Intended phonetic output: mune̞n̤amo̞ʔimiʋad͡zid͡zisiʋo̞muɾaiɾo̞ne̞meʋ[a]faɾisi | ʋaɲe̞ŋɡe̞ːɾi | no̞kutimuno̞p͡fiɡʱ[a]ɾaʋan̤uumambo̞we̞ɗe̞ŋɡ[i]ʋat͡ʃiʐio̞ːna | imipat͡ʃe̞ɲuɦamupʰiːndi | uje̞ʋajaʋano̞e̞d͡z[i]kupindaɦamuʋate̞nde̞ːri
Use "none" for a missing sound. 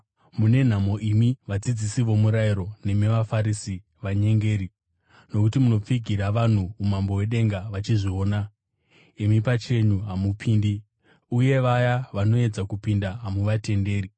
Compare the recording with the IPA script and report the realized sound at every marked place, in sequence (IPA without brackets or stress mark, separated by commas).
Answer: a, i, a, a